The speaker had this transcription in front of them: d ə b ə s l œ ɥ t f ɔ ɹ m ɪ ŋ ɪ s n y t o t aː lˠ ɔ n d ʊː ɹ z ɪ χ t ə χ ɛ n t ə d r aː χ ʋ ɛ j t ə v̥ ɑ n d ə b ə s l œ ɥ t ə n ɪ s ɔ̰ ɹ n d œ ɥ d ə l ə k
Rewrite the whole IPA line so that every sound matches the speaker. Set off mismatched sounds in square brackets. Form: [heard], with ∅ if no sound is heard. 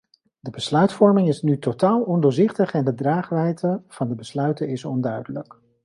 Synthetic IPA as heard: d ə b ə s l œ ɥ t f ɔ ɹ m ɪ ŋ ɪ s n y t o t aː lˠ ɔ n d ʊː ɹ z ɪ χ t ə χ ɛ n [d] ə d r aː χ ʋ ɛ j t ə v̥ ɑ n d ə b ə s l œ ɥ t ə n ɪ s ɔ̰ [∅] n d œ ɥ d ə l ə k